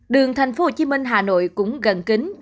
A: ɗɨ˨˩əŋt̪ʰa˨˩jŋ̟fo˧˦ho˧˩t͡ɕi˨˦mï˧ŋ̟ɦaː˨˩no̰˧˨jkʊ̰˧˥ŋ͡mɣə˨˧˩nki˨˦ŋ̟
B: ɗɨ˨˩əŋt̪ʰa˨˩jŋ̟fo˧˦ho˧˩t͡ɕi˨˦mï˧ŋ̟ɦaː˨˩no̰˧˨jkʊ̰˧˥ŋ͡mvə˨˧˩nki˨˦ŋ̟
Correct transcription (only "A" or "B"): A